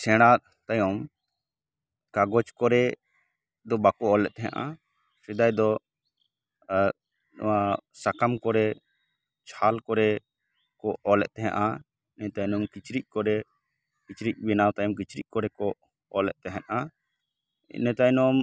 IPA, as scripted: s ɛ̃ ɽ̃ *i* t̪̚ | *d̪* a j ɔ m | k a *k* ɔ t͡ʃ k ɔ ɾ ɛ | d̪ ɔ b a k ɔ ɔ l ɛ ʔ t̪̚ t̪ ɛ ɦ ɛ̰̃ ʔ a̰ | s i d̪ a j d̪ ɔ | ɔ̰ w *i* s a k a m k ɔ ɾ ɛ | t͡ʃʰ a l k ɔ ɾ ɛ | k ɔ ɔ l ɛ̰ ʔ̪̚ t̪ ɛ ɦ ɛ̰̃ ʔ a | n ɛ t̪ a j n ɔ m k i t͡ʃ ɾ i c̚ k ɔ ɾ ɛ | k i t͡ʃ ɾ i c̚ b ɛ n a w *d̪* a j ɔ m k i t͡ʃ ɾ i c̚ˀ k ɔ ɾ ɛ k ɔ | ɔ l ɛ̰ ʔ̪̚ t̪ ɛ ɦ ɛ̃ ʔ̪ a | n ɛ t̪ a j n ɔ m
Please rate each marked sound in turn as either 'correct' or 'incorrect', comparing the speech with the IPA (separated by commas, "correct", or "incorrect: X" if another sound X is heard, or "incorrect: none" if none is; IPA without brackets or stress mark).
incorrect: a, incorrect: t̪, incorrect: ɡ, incorrect: a, incorrect: t̪